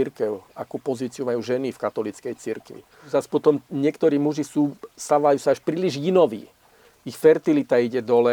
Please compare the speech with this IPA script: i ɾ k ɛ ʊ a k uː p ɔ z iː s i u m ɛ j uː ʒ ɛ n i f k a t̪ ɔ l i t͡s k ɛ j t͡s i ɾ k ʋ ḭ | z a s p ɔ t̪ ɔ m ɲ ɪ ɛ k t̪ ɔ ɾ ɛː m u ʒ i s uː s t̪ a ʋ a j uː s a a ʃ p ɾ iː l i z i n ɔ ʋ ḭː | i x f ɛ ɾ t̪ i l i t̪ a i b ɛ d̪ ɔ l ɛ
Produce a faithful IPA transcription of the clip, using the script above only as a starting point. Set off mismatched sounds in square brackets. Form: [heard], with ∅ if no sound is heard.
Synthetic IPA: i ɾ k ɛ ʊ a k uː p ɔ z iː [t͡s] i u m [a] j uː ʒ ɛ n i f k a t̪ ɔ l i t͡s k ɛ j t͡s i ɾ k ʋ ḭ | z a s p ɔ t̪ ɔ m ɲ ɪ ɛ k t̪ ɔ ɾ [iː] m u ʒ i s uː s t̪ a ʋ a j uː s a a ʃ p ɾ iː l i [ʒ] i n ɔ ʋ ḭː | i x f ɛ ɾ t̪ i l i t̪ a i [ɟ] ɛ d̪ ɔ l ɛ